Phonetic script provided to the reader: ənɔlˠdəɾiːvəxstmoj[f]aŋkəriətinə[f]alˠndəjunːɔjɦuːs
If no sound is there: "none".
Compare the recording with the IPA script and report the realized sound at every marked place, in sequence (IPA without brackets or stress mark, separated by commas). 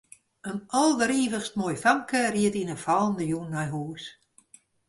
f, f